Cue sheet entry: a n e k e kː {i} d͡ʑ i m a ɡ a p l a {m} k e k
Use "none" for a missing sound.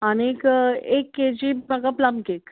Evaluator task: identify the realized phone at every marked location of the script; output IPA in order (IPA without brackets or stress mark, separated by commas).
e, m